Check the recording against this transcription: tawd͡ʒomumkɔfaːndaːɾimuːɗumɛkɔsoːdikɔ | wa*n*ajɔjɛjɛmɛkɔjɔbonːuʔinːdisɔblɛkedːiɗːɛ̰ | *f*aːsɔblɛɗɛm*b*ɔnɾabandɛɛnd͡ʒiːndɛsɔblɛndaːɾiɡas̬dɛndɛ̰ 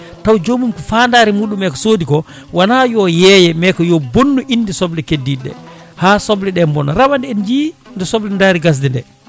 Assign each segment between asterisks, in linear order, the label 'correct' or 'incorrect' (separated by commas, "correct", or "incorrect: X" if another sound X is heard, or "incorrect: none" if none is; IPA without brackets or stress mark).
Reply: correct, incorrect: h, correct